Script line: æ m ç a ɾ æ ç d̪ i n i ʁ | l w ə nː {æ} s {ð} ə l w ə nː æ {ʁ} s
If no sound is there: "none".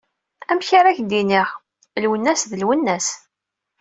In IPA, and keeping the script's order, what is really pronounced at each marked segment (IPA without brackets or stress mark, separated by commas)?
æ, ð, none